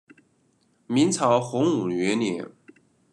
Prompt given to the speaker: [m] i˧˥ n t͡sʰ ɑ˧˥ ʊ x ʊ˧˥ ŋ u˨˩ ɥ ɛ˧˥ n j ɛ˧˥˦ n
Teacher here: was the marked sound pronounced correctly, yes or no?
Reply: yes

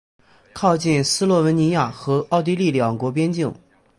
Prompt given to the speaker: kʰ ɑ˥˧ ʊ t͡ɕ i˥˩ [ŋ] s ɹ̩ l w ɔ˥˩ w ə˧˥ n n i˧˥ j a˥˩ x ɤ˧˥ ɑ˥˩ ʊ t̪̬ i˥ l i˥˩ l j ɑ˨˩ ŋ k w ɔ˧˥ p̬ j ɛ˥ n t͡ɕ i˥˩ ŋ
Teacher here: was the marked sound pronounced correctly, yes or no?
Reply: no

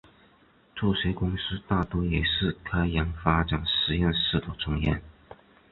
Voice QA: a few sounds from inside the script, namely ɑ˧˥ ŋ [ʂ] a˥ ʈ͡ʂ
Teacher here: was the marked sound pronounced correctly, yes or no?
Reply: no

